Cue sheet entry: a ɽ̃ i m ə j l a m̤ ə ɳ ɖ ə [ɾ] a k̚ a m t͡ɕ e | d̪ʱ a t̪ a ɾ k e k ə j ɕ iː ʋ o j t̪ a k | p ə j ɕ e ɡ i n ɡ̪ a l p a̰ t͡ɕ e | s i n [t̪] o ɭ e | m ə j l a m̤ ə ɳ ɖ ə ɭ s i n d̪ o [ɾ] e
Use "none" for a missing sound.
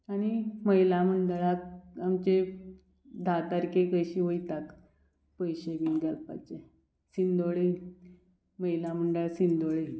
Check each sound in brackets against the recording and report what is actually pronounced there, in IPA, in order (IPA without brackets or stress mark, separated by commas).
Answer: ɭ, d̪, ɭ